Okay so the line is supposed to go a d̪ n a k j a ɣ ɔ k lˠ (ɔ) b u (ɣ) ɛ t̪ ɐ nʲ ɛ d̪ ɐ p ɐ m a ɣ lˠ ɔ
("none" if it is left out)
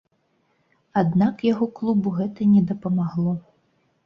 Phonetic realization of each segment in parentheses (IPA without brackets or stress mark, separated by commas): u, ɣ